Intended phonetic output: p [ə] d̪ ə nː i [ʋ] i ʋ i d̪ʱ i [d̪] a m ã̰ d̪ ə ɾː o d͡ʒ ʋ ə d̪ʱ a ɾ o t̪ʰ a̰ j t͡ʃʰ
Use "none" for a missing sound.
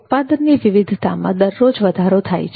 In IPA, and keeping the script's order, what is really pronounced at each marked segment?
a, ʋ, t̪

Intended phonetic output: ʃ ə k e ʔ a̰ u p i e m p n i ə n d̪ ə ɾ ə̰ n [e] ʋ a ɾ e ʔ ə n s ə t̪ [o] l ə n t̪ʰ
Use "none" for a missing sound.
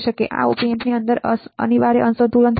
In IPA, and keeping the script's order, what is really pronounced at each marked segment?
i, u

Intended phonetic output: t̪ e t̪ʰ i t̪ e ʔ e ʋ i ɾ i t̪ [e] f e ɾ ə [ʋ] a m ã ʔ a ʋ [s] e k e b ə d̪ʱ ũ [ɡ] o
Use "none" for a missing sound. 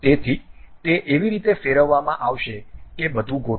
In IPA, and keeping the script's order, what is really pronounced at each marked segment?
e, ʋː, ʃ, ɡ

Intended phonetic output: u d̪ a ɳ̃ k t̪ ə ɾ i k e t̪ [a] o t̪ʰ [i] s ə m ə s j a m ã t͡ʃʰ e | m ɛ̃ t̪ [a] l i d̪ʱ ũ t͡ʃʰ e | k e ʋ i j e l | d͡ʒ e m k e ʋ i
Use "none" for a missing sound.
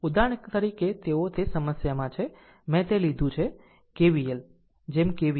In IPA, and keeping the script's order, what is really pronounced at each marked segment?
e, e, e

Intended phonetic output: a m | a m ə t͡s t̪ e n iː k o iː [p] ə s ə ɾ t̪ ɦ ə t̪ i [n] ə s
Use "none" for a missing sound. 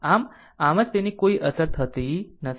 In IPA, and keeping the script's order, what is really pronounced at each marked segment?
ʔ, n

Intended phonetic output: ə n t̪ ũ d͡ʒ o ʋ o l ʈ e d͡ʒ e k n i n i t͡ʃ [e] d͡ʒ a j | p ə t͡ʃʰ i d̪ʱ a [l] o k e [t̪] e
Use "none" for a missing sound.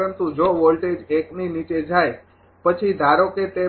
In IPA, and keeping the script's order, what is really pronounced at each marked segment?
e, ɾ, t̪

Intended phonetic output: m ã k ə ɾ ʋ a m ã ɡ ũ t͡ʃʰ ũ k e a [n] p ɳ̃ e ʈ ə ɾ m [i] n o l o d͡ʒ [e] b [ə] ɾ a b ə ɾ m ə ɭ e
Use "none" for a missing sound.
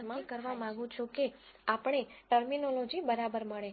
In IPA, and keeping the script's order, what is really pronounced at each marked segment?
none, i, i, ə

